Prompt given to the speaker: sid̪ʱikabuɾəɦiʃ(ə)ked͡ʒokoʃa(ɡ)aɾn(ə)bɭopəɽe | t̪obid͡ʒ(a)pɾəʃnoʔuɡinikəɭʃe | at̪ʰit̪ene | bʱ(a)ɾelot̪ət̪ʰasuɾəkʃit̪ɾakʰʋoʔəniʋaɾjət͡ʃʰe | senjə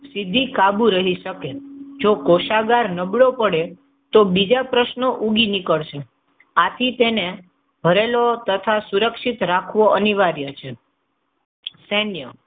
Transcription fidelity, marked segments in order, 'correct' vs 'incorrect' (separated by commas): correct, correct, correct, correct, incorrect